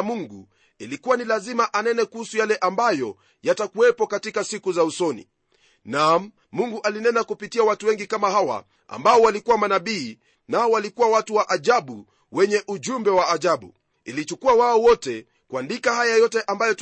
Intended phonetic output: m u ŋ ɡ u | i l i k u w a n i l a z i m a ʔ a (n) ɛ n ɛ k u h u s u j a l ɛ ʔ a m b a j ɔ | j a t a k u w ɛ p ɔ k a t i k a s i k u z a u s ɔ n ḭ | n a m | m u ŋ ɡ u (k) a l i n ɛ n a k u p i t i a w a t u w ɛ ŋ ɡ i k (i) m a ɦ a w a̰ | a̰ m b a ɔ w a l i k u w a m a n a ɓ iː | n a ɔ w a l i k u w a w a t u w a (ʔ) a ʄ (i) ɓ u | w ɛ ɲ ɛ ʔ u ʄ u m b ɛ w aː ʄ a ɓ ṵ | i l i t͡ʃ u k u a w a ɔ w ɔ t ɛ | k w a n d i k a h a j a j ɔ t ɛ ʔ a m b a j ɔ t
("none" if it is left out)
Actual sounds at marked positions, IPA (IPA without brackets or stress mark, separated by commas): n, ʔ, a, ʔ, a